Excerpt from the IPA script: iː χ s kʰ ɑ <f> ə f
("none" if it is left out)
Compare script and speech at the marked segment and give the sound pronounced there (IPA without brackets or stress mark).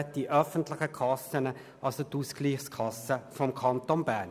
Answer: s